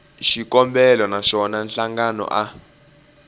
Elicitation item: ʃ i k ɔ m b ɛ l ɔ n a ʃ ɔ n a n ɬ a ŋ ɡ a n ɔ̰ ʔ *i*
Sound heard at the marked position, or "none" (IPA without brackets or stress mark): a